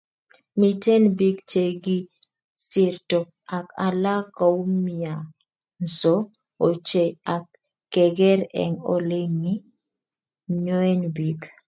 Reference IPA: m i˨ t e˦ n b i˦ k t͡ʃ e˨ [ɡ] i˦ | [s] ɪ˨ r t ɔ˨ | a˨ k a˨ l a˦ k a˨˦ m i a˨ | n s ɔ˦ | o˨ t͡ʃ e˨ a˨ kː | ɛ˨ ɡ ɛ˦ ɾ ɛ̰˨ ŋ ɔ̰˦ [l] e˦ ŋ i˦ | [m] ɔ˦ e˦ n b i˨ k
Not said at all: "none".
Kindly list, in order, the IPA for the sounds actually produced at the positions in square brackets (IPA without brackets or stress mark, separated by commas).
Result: ɡ, s, l, ɲ